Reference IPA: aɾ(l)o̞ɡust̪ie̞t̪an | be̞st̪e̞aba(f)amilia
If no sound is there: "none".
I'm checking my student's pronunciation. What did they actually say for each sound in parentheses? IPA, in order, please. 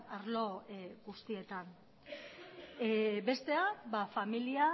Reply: l, f

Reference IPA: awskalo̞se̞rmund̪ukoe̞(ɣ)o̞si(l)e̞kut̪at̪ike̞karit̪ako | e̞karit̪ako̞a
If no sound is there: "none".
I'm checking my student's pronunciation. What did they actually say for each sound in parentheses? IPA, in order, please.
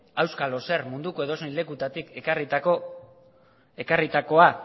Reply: ð, l

